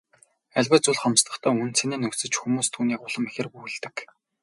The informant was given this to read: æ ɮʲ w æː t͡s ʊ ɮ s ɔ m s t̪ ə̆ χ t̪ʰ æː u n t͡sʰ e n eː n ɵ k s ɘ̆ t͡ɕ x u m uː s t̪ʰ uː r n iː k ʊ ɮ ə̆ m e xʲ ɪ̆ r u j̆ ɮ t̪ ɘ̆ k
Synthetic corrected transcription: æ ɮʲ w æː t͡s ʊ ɮ χ ɔ m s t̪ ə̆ χ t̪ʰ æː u n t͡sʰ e n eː n ɵ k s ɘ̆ t͡ɕ x u m uː s t̪ʰ uː n iː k ʊ ɮ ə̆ m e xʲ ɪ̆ r u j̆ ɮ t̪ ɘ̆ k